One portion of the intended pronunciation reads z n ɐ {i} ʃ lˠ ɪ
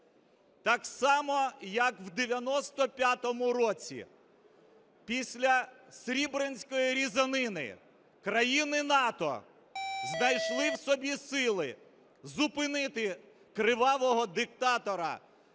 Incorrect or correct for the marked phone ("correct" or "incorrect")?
incorrect